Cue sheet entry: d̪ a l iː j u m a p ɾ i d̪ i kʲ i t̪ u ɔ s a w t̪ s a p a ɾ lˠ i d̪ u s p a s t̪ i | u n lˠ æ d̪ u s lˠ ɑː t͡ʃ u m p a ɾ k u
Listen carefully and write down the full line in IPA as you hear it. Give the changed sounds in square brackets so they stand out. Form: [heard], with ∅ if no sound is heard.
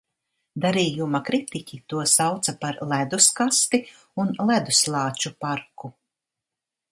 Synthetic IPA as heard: d̪ a [ɾ] iː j u m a [k] ɾ i [t̪] i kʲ i t̪ u ɔ s a w t̪ s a p a ɾ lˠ [æ] d̪ u s [k] a s t̪ i | u n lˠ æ d̪ u s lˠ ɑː t͡ʃ u [∅] p a ɾ k u